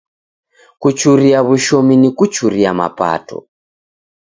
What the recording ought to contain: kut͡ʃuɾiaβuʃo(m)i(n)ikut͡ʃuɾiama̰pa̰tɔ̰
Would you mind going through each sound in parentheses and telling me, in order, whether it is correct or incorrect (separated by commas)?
correct, correct